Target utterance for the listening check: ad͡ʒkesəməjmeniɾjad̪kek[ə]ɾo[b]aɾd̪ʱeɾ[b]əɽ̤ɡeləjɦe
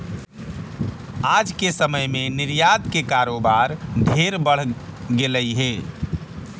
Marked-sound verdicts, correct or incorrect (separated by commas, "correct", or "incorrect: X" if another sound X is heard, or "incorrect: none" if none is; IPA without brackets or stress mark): incorrect: a, correct, correct